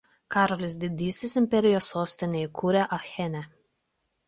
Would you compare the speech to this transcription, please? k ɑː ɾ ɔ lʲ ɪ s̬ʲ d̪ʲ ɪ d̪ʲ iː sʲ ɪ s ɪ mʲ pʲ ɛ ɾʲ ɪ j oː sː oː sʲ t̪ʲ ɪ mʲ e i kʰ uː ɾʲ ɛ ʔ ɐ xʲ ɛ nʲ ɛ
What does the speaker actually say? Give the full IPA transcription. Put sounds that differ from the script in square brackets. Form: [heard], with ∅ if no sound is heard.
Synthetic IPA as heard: k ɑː ɾ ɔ lʲ ɪ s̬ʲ d̪ʲ ɪ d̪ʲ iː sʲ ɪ s ɪ mʲ pʲ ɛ ɾʲ ɪ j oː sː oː sʲ t̪ʲ ɪ [nʲ] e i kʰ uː ɾʲ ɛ ʔ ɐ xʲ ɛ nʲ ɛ